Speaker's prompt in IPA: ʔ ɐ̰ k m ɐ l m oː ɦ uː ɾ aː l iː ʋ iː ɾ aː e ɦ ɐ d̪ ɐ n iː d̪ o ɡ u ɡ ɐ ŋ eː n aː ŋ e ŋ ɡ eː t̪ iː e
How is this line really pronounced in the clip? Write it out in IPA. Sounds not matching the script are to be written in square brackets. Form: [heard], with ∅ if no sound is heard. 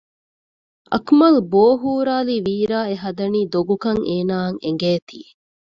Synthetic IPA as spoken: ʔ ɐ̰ k m ɐ l [b] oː ɦ uː ɾ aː l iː ʋ iː ɾ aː e ɦ ɐ d̪ ɐ n iː d̪ o ɡ u [k] ɐ ŋ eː n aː ŋ e ŋ ɡ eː t̪ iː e